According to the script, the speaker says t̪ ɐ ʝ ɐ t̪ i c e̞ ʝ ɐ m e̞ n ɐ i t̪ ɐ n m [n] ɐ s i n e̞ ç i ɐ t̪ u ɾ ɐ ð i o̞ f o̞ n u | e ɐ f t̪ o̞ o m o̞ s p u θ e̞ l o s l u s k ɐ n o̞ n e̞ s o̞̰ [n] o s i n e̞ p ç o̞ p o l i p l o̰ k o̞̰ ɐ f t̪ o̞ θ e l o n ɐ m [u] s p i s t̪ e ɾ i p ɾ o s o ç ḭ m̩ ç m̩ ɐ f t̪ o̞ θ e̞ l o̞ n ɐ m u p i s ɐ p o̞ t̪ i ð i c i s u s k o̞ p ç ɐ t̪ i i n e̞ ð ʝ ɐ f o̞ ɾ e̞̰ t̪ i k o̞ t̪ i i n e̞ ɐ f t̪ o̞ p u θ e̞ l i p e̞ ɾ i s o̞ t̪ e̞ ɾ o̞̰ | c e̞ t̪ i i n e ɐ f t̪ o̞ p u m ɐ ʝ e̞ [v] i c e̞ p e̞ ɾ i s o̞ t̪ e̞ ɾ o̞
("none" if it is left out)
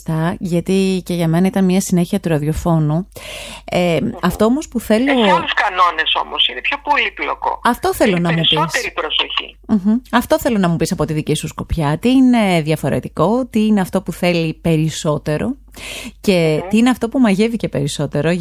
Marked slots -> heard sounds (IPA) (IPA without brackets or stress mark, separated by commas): ɲ, m, u, v